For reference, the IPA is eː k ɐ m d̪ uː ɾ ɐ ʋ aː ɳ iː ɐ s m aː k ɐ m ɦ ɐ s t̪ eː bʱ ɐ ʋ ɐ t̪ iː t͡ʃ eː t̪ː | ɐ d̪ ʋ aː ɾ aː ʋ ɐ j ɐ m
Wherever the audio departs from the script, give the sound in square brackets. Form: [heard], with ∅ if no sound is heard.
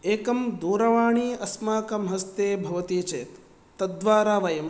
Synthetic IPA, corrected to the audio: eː k ɐ m d̪ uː ɾ ɐ ʋ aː ɳ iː ɐ s m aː k ɐ m ɦ ɐ s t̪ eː bʱ ɐ ʋ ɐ t̪ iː t͡ʃ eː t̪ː | ɐ d̪ ʋ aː ɾ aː ʋ ɐ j ɐ m